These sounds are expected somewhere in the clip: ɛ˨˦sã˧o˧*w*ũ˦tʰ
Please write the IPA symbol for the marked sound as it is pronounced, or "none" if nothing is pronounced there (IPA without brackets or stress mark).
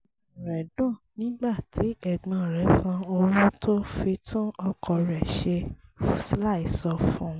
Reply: w